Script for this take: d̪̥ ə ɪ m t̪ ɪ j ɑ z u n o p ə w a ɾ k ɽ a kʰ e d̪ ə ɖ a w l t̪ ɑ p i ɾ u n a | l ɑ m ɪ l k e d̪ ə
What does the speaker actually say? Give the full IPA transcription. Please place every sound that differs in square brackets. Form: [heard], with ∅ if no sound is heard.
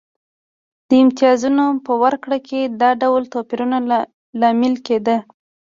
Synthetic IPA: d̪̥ ə ɪ m t̪ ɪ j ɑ z u n o p ə w a ɾ k ɽ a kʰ e d̪ [ɑ] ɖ a w l t̪ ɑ p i ɾ u n a | l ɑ m ɪ l k e d̪ ə